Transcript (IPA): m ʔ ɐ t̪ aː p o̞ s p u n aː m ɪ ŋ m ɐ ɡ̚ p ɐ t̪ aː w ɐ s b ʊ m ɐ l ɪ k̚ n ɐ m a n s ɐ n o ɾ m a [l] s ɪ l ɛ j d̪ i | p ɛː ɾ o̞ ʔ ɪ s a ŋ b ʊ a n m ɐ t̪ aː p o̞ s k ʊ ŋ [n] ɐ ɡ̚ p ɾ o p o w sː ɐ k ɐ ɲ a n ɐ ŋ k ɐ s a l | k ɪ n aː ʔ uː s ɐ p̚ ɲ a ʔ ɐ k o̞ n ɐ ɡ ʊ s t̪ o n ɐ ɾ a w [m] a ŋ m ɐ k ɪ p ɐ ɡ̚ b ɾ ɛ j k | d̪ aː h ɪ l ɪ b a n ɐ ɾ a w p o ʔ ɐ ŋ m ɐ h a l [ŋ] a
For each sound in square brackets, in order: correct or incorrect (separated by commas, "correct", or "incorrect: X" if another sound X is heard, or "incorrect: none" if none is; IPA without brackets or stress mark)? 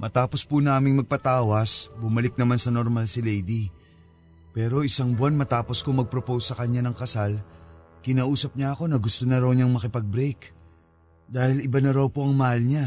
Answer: correct, incorrect: m, incorrect: ɲ, incorrect: ɲ